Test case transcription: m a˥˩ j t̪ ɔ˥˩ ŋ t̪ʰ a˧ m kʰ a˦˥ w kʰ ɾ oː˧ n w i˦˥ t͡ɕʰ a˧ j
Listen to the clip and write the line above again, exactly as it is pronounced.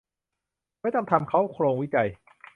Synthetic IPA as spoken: m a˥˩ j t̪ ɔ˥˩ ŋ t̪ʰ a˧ m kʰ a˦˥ w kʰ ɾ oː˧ ŋ w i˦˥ t͡ɕ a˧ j